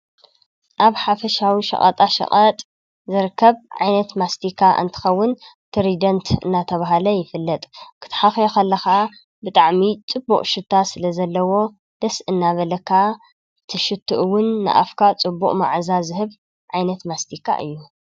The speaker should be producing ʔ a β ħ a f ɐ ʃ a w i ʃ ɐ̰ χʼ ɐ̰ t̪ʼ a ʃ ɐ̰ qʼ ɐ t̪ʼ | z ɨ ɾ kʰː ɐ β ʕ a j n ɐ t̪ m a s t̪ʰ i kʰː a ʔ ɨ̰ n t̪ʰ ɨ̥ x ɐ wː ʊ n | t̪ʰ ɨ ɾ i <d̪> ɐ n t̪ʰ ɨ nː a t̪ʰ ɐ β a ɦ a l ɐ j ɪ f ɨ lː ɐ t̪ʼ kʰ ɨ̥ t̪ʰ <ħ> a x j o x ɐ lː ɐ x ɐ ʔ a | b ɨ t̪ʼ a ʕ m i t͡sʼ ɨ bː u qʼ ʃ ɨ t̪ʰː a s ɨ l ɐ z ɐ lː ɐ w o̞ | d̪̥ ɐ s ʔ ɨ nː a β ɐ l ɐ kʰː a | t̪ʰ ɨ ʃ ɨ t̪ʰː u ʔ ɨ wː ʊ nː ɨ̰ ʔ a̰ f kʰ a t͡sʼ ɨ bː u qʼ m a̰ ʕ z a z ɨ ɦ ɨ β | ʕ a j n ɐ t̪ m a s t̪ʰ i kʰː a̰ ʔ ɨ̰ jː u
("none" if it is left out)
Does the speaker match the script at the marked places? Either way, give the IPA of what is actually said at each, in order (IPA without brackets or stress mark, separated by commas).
d̪, ħ